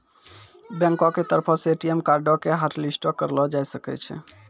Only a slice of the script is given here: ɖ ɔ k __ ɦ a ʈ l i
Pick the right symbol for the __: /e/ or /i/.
e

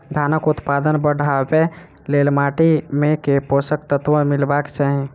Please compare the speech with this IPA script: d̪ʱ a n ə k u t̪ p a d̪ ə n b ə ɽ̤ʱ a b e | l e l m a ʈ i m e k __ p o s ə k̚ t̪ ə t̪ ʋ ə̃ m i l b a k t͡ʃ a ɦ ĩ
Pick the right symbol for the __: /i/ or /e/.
e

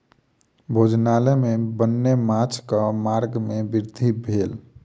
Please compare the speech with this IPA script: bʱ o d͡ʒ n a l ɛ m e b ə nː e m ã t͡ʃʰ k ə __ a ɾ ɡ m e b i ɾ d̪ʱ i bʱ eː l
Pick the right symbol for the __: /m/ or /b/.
m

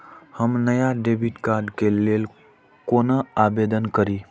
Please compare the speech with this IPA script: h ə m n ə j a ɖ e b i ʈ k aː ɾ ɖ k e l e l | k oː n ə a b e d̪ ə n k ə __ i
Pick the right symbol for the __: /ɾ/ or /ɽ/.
ɾ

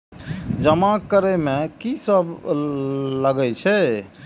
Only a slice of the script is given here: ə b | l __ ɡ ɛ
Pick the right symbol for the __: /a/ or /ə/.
ə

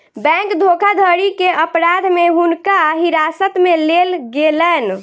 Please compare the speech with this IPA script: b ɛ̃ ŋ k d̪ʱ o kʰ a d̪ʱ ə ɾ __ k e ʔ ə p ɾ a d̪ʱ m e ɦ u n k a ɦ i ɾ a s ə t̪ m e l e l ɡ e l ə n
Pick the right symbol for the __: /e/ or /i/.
i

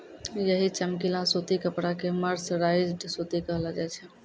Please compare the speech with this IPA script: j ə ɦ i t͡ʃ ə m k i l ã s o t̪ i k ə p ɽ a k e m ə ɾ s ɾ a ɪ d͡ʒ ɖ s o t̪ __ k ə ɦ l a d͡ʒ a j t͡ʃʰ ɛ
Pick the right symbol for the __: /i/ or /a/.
i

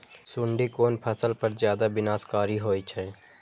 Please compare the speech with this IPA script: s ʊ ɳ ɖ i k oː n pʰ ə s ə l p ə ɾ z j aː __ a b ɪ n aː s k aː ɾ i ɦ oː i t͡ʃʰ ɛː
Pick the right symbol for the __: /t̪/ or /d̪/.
d̪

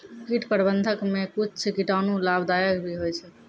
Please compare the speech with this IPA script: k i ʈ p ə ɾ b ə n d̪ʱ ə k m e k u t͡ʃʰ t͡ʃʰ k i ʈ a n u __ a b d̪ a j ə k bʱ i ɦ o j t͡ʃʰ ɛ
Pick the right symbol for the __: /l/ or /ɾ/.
l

